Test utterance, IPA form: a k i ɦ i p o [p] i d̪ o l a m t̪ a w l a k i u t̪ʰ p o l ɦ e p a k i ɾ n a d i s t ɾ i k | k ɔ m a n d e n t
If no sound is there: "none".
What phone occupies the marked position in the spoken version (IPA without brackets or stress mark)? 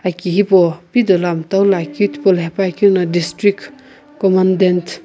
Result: p